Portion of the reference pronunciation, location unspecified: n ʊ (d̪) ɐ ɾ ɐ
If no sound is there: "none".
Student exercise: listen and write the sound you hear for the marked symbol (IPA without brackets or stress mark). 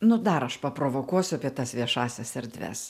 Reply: d̪